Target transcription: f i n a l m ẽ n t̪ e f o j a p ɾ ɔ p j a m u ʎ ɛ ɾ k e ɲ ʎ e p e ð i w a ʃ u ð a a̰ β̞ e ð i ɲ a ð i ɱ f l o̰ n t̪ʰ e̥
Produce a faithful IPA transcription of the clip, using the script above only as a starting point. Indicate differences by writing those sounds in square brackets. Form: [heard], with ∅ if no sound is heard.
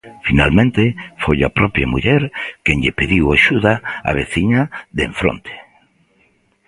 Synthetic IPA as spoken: f i n a l m ẽ n t̪ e f o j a p ɾ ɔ p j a m u ʎ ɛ ɾ k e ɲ ʎ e p e ð i w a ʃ u ð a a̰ β̞ e [θ] i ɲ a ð [e] ɱ f [ɾ] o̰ n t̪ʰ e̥